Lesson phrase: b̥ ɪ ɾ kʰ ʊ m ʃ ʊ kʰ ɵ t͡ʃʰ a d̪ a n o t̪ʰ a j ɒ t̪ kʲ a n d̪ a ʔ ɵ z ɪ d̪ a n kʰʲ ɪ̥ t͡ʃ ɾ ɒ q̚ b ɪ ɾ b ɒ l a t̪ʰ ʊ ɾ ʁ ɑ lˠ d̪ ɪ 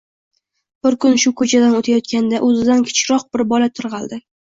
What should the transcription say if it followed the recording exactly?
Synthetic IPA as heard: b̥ ɪ ɾ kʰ ʊ n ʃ ʊ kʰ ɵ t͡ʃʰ a d̪ a n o t̪ʰ a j ɒ t̪ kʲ a n d̪ a ʔ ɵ z ɪ d̪ a n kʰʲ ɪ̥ t͡ʃ ɾ ɒ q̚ b ɪ ɾ b ɒ l a t̪ʰ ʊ ɾ ʁ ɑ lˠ d̪ ɪ